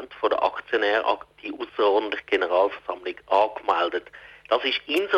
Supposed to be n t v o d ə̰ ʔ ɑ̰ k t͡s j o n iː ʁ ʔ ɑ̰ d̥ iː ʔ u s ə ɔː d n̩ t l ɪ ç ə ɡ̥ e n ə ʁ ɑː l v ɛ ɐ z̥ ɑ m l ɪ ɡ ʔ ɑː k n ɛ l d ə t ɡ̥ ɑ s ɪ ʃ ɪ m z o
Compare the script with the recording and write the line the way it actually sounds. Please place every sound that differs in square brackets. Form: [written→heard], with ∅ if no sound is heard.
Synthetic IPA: n t [v→f] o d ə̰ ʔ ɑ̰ k t͡s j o n [iː→ɛː] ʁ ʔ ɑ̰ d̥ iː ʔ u s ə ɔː d n̩ t l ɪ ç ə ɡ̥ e n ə ʁ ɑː l [v→f] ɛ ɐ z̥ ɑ m l ɪ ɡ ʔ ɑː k [n→m] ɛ l d ə t [ɡ̥→d̥] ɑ s ɪ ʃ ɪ [m→n] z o